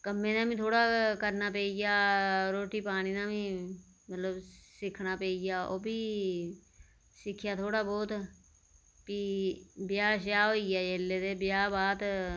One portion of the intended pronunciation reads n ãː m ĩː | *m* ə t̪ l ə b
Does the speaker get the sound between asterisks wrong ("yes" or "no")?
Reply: no